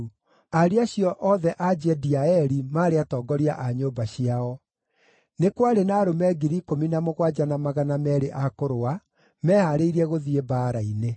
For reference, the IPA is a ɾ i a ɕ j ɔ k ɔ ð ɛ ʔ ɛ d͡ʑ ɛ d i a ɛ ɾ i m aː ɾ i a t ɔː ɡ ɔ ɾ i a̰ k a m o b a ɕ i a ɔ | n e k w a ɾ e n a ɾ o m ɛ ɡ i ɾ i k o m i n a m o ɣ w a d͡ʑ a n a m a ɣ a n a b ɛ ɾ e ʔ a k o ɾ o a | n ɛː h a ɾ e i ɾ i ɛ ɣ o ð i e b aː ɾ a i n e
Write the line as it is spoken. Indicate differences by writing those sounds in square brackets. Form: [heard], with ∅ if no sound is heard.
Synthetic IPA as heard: a ɾ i a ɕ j ɔ [ʔ] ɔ ð ɛ ʔ [a] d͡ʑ ɛ d i a ɛ ɾ i m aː ɾ [e] a t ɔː ɡ ɔ ɾ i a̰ [ʔ] a [ɲ] o b a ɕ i a ɔ | n e k w a ɾ e n a ɾ o m ɛ ɡ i ɾ i k o m i n a m o ɣ w a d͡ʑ a n a m a ɣ a n a [m] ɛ ɾ e ʔ a k o ɾ o a | [m] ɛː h a ɾ e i ɾ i ɛ ɣ o ð i e b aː ɾ a i n e